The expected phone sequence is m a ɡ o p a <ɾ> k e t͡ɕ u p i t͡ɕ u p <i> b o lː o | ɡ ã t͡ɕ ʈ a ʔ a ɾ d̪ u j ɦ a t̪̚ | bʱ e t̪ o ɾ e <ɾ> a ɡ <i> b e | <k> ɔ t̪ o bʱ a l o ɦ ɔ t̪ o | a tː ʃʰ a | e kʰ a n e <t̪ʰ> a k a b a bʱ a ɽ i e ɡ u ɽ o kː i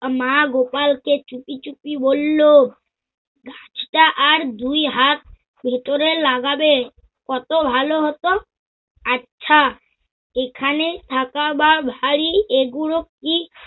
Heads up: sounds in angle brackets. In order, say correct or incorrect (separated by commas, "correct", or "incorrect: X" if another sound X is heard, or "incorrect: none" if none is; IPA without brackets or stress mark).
incorrect: l, correct, incorrect: l, incorrect: a, correct, correct